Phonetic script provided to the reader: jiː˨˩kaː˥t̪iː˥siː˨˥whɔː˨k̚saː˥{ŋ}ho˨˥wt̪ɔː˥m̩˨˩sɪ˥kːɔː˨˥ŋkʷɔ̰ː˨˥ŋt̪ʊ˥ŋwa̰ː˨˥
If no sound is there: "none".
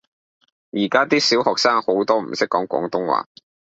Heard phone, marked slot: ŋ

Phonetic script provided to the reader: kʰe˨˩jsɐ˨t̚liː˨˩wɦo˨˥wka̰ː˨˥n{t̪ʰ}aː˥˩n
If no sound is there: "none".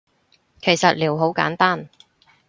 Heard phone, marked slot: t̪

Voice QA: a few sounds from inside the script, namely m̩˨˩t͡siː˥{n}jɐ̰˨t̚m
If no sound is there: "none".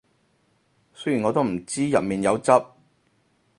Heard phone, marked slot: none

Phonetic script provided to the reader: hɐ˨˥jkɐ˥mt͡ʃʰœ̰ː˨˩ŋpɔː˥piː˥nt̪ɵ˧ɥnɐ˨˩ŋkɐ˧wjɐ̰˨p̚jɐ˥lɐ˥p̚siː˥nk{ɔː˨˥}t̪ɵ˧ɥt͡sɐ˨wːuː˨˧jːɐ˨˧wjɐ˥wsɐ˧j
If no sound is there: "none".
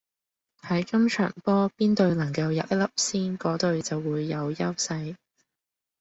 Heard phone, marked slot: ɔː˨˥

